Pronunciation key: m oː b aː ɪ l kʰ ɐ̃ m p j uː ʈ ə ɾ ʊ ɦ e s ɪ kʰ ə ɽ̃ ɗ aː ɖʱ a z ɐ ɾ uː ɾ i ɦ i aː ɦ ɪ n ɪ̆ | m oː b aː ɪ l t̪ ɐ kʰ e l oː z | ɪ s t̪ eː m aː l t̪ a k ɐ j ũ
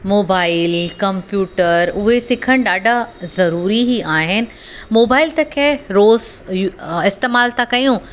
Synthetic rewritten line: m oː b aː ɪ l k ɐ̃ m p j uː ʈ ə ɾ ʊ ɦ e s ɪ kʰ ə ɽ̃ ɗ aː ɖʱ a z ɐ ɾ uː ɾ i ɦ i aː ɦ ɪ n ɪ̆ | m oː b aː ɪ l t̪ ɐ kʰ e ɾ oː z | ɪ s t̪ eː m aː l t̪ a k ɐ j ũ